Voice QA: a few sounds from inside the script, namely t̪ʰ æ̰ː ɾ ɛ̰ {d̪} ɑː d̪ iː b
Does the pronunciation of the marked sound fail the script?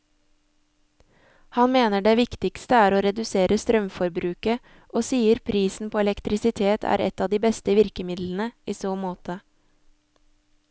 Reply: yes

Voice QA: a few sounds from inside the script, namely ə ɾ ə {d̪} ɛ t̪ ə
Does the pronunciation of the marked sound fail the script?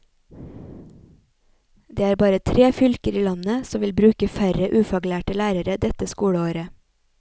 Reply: no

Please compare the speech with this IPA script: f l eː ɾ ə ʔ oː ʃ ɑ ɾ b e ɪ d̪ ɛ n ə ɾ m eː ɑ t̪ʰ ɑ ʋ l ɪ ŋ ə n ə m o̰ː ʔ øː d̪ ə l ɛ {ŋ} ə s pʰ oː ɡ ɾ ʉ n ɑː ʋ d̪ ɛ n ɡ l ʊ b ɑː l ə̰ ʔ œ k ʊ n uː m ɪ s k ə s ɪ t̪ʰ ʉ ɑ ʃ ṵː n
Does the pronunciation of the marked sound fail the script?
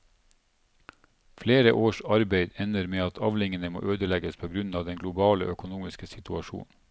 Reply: yes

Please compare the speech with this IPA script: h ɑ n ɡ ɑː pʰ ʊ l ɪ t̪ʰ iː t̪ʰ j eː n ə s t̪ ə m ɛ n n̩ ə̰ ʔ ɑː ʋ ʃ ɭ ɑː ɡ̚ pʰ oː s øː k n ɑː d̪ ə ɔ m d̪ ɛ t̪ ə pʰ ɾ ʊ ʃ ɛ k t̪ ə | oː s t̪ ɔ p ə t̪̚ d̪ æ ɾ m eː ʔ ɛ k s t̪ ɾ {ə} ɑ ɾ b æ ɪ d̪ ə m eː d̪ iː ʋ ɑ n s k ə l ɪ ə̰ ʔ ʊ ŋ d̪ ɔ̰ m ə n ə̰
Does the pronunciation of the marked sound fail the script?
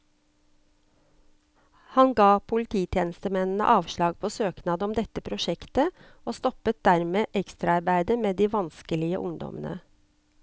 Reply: yes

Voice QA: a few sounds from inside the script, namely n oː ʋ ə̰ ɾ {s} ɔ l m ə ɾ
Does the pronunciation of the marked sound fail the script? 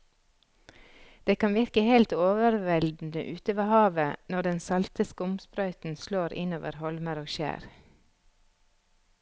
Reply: yes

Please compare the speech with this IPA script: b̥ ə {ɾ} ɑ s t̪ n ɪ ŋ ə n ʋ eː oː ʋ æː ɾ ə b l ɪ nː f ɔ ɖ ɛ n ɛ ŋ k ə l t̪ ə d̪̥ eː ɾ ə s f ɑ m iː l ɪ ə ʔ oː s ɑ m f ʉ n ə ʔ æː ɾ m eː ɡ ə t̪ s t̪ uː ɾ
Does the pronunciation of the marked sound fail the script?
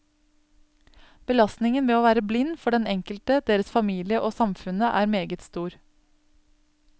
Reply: yes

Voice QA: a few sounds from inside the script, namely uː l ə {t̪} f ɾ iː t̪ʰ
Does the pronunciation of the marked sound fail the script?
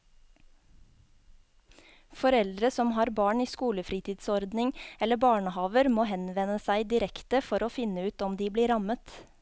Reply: yes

